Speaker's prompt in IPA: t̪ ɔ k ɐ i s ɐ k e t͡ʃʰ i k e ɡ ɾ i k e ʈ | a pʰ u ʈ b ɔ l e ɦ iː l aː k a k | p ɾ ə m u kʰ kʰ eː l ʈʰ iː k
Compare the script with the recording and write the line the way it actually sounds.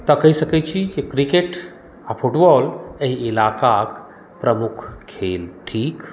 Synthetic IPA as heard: t̪ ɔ k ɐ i s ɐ k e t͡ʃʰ i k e k ɾ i k e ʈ | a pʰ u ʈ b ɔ l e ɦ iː l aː k a k | p ɾ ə m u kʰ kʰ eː l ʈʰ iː k